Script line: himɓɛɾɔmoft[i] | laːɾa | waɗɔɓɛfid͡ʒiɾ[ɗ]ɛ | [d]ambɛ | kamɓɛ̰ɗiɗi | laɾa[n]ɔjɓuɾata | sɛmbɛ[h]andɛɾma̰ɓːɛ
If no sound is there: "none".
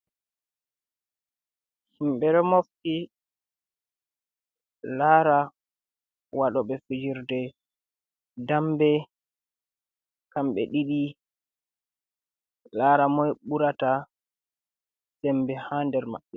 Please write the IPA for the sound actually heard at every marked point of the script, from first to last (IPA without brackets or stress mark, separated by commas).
i, d, d, m, h